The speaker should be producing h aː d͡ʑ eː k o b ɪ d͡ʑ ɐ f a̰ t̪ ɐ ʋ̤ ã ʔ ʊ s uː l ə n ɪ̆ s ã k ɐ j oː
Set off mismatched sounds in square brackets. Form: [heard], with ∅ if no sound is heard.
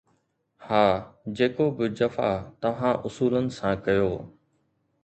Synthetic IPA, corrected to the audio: h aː d͡ʑ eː k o b ɪ d͡ʑ ɐ f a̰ t̪ ɐ ʋ̤ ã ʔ ʊ s uː l ə n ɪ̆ s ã k ɐ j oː